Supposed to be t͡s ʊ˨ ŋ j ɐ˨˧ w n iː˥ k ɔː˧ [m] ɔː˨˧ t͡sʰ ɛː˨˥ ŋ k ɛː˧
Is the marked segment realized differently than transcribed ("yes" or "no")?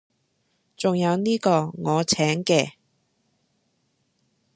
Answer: yes